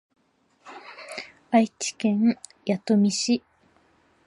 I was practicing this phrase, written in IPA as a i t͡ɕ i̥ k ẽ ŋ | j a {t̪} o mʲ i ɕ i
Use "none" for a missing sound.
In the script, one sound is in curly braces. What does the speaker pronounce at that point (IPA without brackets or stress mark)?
t̪